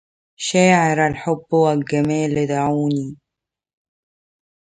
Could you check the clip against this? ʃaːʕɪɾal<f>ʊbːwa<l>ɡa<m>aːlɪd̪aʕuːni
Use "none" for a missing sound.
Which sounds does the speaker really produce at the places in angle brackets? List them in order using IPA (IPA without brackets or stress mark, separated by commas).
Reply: ħ, l, m